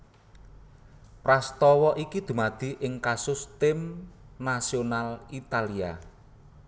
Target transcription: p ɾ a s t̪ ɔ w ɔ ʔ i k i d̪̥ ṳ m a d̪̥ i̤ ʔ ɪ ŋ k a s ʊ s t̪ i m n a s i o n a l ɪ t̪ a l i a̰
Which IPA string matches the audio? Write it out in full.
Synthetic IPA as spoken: p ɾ a s t̪ ɔ w ɔ ʔ i k i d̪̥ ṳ m a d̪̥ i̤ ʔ ɪ ŋ k a s ʊ s t̪ ɪ m n a s i o n a l i t̪ a l i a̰